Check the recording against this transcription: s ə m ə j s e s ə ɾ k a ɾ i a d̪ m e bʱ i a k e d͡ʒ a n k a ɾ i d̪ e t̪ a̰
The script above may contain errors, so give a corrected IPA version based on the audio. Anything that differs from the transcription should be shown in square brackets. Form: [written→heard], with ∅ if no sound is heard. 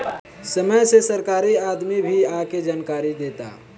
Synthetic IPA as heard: s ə m ə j s e s ə ɾ k a ɾ i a d̪ m [e→i] bʱ i a k e d͡ʒ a n k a ɾ i d̪ e t̪ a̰